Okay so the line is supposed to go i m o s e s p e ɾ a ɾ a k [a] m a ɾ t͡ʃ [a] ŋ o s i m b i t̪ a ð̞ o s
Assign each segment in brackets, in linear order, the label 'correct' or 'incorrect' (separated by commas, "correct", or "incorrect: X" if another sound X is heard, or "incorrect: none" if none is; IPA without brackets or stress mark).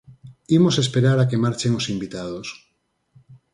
incorrect: e, incorrect: e